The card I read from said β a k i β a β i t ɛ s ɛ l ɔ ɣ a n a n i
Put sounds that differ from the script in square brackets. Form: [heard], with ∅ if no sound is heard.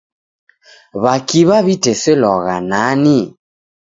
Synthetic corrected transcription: β a k i β a β i t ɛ s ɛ l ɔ ɣ a n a n i